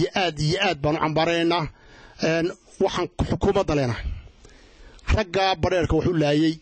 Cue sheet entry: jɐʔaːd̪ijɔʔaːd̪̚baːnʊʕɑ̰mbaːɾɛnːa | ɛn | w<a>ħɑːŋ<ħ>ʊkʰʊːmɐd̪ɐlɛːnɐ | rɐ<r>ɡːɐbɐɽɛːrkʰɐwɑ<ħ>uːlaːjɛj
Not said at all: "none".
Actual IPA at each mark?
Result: ɑ, ħ, none, ħ

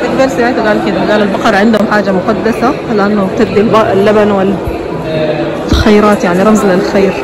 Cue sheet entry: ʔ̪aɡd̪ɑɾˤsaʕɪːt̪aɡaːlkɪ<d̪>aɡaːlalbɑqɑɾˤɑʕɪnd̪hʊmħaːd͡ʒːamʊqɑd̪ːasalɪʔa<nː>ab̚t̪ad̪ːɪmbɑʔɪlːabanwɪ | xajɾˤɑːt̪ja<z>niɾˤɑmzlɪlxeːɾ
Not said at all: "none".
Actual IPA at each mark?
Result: d̪, nː, ʕ

